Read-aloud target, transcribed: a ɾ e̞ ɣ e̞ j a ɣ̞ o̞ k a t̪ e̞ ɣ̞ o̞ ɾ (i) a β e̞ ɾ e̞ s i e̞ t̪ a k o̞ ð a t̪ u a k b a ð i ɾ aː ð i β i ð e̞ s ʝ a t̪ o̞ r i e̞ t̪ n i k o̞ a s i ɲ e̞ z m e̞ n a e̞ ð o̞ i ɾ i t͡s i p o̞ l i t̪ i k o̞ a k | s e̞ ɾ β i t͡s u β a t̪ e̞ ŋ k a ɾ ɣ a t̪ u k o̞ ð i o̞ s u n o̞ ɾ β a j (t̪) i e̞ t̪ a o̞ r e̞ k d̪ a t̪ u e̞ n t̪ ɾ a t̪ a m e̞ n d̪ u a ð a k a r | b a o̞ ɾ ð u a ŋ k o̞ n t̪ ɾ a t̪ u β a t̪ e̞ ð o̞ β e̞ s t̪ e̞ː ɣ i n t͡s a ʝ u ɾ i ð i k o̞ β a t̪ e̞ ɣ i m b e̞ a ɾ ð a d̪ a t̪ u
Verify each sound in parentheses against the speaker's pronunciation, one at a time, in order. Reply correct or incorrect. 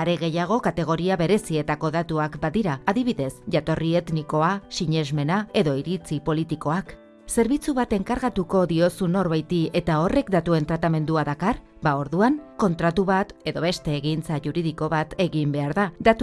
correct, correct

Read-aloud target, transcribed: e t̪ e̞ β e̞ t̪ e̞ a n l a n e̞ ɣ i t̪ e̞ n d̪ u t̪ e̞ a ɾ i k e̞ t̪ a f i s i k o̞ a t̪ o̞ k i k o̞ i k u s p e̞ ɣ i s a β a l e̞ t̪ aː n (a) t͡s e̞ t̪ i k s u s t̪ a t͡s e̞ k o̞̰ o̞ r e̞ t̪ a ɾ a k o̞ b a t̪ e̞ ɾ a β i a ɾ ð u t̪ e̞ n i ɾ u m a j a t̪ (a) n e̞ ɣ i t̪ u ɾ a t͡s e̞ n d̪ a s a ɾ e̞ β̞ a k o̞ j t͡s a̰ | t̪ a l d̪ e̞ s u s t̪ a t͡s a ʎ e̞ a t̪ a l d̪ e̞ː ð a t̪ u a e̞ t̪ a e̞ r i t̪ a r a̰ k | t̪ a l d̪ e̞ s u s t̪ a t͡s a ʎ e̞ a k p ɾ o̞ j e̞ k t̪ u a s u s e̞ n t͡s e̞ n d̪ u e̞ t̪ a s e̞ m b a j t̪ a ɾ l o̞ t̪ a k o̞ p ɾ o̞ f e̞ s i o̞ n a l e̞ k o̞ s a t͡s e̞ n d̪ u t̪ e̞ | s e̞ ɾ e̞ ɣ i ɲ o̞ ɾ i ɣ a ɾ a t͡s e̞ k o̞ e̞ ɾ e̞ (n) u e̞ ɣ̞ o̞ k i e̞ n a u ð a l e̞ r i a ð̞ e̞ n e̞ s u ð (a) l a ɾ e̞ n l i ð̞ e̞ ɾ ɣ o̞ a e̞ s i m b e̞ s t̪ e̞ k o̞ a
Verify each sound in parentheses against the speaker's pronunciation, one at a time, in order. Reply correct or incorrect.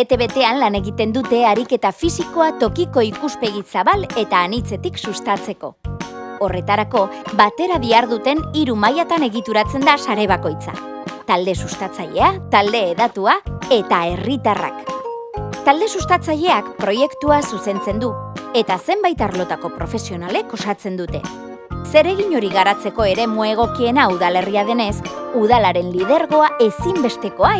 incorrect, correct, incorrect, correct

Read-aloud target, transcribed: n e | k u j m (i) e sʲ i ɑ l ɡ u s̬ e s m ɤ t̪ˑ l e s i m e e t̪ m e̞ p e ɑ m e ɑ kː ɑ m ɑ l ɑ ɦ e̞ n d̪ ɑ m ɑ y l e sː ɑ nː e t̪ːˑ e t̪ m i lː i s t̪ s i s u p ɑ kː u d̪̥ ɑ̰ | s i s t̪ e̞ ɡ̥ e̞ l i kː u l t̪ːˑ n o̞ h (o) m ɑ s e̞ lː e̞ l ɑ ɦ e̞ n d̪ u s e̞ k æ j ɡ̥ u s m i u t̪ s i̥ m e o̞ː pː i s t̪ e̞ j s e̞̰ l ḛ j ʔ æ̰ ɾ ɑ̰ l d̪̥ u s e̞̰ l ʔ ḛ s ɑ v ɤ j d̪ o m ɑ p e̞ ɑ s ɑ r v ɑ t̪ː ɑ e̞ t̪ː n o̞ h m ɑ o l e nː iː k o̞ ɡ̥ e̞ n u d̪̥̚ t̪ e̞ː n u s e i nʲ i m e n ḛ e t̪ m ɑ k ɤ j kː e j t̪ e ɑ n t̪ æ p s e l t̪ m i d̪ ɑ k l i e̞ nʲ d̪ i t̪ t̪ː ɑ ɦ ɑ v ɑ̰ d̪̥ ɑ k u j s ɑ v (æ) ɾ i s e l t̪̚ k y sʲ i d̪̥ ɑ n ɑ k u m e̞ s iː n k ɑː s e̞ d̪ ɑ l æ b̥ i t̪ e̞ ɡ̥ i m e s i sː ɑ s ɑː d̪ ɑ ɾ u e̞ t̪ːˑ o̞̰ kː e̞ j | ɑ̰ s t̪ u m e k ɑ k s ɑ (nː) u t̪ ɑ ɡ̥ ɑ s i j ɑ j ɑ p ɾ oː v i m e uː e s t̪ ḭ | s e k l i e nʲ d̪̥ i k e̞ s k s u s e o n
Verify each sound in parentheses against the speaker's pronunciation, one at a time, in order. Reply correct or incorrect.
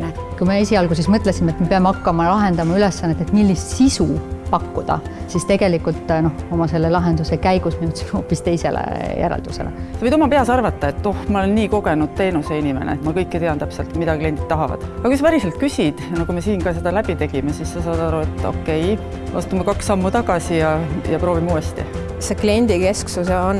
incorrect, correct, correct, incorrect

